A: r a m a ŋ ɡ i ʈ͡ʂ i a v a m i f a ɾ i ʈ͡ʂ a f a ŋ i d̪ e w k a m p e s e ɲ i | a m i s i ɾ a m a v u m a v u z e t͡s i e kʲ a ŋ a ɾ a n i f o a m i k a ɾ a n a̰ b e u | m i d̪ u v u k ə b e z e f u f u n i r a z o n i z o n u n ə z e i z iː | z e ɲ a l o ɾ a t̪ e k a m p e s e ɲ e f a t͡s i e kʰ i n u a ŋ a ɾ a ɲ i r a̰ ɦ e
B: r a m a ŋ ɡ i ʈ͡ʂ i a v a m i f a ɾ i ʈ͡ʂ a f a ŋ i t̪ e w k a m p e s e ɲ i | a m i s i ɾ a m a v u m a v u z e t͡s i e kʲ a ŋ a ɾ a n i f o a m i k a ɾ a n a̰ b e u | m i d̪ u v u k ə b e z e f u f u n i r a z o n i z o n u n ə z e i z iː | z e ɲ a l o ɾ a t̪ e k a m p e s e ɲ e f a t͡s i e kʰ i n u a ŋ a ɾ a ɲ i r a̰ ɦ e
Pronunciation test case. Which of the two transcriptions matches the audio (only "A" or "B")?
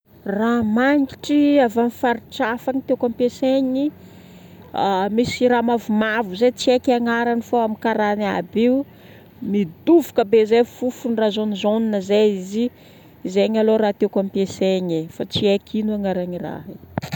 B